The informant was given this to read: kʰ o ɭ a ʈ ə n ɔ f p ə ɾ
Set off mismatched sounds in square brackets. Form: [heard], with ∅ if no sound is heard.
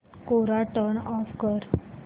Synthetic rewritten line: [k] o [ɾ] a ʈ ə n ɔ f [k] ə ɾ